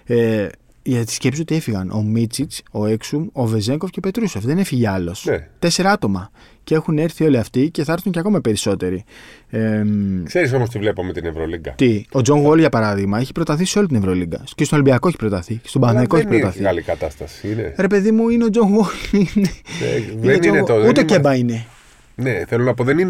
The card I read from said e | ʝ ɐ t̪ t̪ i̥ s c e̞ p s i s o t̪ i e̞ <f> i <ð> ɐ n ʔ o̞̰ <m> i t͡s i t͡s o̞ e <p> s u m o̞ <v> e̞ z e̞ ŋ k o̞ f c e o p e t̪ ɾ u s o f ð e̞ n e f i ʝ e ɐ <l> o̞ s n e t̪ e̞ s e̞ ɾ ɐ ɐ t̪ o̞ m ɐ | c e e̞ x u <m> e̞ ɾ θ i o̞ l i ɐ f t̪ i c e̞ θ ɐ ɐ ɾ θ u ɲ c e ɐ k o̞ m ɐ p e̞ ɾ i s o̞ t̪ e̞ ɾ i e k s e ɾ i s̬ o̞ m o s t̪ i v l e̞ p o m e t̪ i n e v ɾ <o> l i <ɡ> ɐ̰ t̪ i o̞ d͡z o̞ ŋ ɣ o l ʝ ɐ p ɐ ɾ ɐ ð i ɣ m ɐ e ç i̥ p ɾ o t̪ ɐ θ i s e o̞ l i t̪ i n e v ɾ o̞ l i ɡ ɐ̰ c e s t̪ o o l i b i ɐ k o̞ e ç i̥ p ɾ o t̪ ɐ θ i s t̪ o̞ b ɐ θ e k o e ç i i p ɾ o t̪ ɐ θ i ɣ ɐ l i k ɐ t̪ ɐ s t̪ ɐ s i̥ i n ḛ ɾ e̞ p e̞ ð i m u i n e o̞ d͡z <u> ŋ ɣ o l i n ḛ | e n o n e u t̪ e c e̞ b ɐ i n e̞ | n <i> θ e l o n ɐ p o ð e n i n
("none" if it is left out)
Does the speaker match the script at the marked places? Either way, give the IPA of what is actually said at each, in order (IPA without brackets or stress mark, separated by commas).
f, ɣ, m, k, v, l, n, o, ɡ, o, e